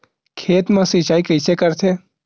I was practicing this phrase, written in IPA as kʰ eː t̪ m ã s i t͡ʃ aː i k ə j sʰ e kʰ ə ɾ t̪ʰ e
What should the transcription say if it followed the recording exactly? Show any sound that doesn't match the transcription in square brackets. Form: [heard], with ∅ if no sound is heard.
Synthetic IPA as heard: kʰ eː t̪ m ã s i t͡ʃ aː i k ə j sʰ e [k] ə ɾ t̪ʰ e